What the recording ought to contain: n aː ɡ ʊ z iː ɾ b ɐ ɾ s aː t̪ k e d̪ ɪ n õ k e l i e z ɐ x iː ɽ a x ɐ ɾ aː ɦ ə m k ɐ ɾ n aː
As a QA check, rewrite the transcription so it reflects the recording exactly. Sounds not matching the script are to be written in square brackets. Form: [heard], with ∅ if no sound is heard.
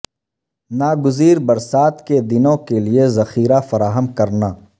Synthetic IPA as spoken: n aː ɡ ʊ z iː ɾ b ɐ ɾ s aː t̪ k e d̪ ɪ n õ k e l i e z ɐ x iː [ɾ] a [f] ɐ ɾ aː ɦ ə m k ɐ ɾ n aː